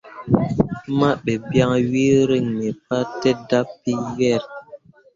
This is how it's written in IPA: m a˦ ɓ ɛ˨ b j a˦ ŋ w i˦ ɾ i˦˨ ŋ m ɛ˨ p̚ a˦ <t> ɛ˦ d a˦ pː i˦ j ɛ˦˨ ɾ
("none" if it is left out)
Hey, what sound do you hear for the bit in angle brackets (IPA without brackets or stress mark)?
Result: t